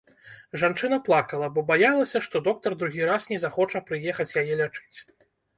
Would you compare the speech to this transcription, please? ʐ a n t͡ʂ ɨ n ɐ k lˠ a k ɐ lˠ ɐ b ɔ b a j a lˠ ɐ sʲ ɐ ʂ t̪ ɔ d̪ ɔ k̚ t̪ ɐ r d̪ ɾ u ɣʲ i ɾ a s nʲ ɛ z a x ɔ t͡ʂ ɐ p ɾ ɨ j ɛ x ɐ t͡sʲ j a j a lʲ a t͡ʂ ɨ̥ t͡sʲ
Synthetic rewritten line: ʐ a n t͡ʂ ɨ n ɐ p lˠ a k ɐ lˠ ɐ b ɔ b a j a lˠ ɐ sʲ ɐ ʂ t̪ ɔ d̪ ɔ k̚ t̪ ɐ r d̪ ɾ u ɣʲ i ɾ a s nʲ ɛ z a x ɔ t͡ʂ ɐ p ɾ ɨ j ɛ x ɐ t͡sʲ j a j ɛ lʲ a t͡ʂ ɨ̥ t͡sʲ